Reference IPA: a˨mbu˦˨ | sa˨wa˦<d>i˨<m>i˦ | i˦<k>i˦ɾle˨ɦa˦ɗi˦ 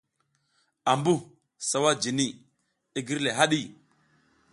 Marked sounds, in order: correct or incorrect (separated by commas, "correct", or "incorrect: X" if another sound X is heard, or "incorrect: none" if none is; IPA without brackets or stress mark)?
incorrect: d͡ʒ, incorrect: n, incorrect: ɡ